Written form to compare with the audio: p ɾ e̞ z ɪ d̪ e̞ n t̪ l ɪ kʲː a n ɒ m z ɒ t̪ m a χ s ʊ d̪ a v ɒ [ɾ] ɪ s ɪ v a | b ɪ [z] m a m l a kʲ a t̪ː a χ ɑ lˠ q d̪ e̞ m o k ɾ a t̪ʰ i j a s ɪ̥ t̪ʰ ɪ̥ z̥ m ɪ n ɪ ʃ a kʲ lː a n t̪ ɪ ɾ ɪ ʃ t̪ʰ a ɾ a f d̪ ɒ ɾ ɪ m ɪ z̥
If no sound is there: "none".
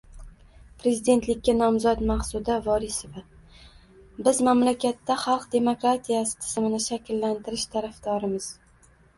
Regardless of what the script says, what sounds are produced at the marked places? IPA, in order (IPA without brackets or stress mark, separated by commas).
ɾ, z